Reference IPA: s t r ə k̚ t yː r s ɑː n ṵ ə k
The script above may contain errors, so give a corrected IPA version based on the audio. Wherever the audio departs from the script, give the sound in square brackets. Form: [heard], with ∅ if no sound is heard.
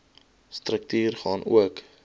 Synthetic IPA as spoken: s t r ə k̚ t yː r [χ] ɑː n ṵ ə k